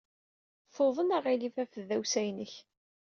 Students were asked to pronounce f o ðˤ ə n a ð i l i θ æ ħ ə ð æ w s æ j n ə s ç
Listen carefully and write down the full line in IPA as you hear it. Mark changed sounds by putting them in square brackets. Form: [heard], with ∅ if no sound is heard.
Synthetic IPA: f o ðˤ ə n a [ʁ] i l i [f] æ [f] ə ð æ w s æ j n ə [∅] ç